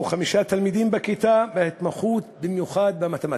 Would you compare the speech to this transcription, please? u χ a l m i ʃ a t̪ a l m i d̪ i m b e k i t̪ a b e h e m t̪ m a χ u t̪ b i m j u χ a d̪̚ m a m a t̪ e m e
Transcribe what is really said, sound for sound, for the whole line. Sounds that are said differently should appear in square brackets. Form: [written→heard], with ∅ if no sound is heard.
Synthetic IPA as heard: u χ a [l→∅] m i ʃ a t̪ a l m i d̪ i m b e k i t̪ a b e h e [m→∅] t̪ m a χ u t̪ b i m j u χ a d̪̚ [m→b] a m a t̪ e m [e→a]